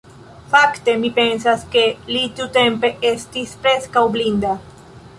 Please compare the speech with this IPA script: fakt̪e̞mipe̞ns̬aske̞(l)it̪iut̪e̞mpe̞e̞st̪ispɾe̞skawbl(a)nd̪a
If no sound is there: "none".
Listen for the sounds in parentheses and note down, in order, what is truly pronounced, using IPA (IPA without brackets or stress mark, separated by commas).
l, i